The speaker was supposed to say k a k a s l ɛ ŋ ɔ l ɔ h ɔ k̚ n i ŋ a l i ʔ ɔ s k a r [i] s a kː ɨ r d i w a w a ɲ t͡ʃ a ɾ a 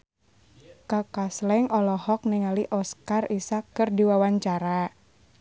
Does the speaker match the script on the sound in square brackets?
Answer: yes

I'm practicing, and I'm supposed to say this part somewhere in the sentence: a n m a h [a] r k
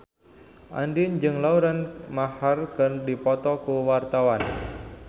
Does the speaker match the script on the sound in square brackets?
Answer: yes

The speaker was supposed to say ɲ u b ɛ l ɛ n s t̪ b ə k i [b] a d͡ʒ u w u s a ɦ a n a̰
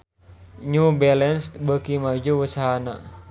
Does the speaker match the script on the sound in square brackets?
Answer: no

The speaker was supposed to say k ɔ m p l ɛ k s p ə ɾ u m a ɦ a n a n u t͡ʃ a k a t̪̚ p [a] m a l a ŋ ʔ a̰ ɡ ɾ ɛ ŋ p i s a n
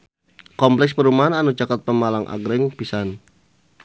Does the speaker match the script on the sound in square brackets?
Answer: no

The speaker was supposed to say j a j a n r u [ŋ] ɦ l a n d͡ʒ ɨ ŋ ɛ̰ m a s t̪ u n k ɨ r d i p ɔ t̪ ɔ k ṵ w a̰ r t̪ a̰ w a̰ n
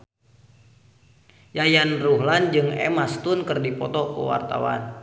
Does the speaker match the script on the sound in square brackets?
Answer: no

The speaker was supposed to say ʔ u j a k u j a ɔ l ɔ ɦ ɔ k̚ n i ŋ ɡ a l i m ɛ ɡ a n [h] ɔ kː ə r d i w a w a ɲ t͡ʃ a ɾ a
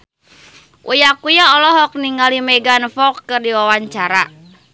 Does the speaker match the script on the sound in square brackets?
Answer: no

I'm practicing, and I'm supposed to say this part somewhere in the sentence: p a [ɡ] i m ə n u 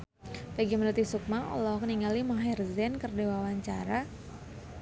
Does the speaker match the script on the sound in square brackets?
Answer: yes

